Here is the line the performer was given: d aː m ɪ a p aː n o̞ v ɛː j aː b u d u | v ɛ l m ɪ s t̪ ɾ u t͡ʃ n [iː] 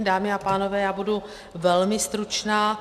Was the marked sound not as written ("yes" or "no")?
yes